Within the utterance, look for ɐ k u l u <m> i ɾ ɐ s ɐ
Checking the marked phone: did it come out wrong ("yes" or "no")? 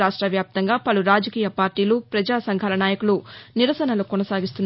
yes